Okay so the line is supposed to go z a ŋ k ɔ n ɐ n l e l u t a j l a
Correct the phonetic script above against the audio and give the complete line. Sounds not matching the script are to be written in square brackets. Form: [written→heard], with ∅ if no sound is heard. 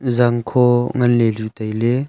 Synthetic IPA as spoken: z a ŋ [k→kʰ] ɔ [n→ŋ] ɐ n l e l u t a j l [a→e]